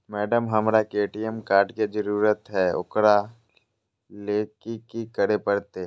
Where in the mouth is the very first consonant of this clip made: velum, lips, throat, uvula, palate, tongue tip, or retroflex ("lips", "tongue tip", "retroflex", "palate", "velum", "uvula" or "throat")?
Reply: lips